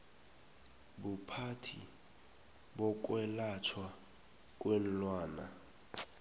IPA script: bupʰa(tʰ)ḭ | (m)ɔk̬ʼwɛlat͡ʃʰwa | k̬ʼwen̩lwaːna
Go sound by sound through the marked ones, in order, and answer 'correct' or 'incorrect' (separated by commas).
correct, incorrect